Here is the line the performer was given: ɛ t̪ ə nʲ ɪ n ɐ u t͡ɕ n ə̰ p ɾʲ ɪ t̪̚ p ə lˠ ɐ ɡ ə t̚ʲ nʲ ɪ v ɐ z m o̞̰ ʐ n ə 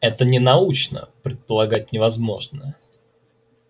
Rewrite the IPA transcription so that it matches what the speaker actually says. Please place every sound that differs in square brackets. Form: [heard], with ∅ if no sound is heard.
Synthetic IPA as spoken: ɛ t̪ ə nʲ ɪ n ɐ u t͡ɕ n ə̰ p ɾʲ ɪ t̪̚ p ə lˠ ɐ ɡ [a] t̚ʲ nʲ ɪ v ɐ z m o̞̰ ʐ n ə